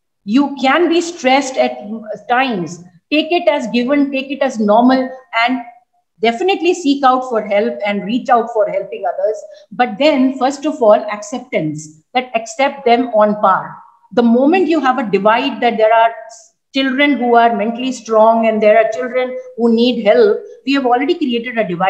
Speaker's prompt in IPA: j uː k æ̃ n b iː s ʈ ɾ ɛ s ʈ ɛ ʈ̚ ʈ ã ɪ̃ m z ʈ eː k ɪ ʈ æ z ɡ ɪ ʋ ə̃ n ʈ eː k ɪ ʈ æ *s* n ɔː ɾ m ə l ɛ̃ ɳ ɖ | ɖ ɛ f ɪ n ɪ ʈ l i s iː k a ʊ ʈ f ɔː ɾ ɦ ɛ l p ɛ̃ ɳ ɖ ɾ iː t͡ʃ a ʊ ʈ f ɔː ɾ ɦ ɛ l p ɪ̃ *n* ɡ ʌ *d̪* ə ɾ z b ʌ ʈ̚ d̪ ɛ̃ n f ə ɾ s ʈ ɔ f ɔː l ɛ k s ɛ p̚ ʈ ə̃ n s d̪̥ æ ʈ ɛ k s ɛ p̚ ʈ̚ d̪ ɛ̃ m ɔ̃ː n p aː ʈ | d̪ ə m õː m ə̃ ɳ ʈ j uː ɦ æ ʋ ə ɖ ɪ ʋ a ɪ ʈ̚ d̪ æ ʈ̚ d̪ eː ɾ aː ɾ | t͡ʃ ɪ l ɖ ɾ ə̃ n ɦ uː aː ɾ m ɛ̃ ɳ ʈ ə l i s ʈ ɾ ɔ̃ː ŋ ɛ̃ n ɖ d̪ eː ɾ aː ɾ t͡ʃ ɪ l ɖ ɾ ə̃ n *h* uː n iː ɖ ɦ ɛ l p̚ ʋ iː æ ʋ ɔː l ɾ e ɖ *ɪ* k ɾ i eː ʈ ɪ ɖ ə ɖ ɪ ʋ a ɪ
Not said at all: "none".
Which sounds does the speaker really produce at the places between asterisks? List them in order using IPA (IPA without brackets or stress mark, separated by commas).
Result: z, ŋ, d̪, h, i